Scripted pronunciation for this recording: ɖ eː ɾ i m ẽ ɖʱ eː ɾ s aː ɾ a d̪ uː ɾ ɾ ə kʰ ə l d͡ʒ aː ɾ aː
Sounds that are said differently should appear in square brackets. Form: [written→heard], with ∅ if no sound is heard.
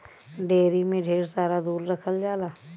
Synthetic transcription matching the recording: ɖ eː ɾ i m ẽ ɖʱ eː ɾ s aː ɾ a d̪ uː ɾ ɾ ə kʰ ə l d͡ʒ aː [ɾ→l] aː